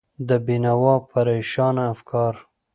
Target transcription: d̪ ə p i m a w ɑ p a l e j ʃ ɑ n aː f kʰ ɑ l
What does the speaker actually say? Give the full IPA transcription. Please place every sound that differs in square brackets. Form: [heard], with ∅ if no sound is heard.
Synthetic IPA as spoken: d̪ ə [b] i [n] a w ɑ p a [ɾ] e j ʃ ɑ n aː f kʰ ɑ [ɾ]